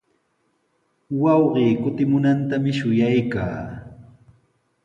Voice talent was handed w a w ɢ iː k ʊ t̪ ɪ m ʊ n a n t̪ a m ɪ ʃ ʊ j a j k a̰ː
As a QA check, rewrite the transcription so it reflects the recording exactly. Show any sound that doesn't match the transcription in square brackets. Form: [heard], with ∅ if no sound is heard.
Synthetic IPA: w [ɑ] w ɢ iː k ʊ t̪ ɪ m ʊ n a n t̪ a m ɪ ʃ ʊ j a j k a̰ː